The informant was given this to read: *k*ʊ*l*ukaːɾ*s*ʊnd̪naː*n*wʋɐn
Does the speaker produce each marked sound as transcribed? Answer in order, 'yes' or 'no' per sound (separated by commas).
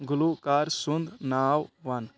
no, yes, yes, no